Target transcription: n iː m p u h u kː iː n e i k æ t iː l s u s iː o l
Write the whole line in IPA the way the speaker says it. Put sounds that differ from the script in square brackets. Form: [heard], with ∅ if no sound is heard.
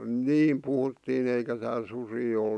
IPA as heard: n iː m p u h u [tː] iː n e i k æ t [æː] l s u s iː o l